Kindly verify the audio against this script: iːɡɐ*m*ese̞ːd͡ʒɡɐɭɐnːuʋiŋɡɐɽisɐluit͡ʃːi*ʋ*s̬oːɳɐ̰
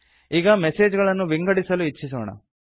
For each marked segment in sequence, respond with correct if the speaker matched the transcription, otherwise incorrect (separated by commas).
correct, incorrect